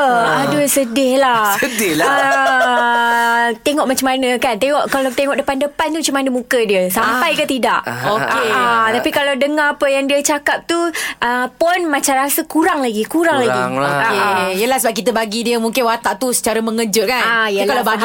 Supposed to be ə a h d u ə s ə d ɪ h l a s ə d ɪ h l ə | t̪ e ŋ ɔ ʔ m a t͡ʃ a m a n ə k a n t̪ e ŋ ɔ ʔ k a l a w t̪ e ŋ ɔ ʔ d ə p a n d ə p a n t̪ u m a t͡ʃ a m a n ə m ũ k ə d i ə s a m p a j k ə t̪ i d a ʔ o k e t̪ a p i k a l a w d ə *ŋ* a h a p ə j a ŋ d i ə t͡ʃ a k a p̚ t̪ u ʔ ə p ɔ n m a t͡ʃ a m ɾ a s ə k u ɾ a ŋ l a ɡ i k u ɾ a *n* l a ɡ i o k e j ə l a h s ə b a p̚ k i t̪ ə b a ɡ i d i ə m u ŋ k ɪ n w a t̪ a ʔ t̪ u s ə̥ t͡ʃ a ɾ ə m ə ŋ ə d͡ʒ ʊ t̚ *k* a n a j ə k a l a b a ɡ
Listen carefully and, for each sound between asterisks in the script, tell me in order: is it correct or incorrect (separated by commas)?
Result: correct, incorrect, correct